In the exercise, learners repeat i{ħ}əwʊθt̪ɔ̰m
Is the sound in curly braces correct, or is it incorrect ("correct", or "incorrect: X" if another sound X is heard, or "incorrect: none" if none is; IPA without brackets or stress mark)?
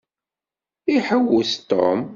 correct